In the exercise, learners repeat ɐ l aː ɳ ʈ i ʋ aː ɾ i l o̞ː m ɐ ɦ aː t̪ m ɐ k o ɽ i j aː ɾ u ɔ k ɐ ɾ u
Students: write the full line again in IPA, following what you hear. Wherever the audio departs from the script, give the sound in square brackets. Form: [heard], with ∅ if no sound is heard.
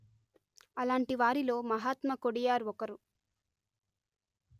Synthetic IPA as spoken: ɐ l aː ɳ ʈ i ʋ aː ɾ i l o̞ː m ɐ ɦ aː t̪ m ɐ k o ɽ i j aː ɾ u ɔ k ɐ ɾ u